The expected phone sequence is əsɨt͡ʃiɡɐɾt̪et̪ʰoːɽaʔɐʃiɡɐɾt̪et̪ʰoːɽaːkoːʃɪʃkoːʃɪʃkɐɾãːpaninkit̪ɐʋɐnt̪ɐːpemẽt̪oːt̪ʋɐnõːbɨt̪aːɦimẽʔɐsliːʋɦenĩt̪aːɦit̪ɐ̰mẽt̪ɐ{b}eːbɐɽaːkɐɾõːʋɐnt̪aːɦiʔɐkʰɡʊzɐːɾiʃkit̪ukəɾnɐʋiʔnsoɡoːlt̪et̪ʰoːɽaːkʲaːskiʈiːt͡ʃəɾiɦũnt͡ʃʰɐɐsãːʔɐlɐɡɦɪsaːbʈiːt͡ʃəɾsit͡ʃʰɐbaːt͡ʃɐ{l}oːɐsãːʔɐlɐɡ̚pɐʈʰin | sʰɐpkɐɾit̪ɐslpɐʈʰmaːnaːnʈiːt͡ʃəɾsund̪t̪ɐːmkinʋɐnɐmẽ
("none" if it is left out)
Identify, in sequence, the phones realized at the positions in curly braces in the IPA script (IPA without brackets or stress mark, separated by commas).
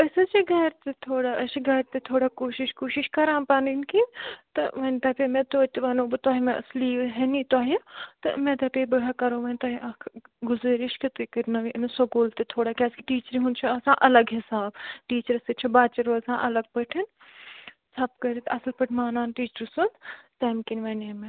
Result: p, ɾ